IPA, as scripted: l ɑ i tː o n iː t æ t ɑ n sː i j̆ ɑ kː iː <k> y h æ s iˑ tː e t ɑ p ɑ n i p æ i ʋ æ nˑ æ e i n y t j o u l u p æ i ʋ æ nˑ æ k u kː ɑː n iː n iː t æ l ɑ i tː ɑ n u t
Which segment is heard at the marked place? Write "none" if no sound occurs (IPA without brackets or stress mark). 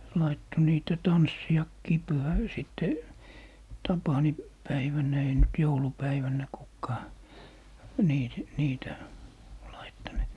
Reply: p